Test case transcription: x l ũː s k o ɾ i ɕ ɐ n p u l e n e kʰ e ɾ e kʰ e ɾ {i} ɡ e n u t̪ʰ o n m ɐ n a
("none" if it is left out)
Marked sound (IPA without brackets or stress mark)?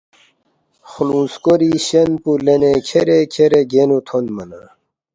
e